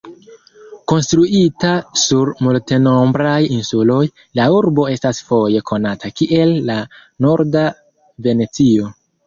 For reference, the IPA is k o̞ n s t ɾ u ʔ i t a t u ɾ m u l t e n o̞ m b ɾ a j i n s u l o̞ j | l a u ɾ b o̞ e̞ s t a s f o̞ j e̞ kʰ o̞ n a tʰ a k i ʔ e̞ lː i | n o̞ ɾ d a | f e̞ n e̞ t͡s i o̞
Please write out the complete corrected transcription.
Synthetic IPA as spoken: k o̞ n s t ɾ u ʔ i t a s u ɾ m u l t e n o̞ m b ɾ a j i n s u l o̞ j | l a u ɾ b o̞ e̞ s t a s f o̞ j e̞ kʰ o̞ n a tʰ a k i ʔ e̞ lː a | n o̞ ɾ d a | v e̞ n e̞ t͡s i o̞